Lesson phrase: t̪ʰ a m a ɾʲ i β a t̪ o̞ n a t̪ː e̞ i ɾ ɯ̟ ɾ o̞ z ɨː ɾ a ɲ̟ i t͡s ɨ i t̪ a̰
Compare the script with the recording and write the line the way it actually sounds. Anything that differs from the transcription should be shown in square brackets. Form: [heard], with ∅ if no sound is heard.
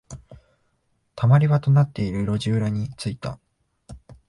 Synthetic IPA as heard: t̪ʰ a m a ɾʲ i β a t̪ o̞ n a t̪ː e̞ i ɾ ɯ̟ ɾ o̞ [ʑ] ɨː ɾ a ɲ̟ i t͡s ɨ i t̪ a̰